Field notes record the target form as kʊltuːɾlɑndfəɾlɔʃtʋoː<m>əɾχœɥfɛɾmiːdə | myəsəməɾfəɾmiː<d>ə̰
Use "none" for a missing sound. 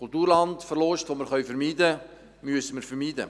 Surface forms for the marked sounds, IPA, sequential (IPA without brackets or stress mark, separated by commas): m, d